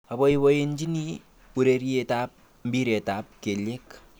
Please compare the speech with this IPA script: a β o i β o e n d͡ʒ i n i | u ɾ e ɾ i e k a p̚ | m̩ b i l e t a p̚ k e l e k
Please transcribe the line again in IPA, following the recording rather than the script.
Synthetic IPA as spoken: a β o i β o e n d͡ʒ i n i | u ɾ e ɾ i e t a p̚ | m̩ b i ɾ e t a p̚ k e l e k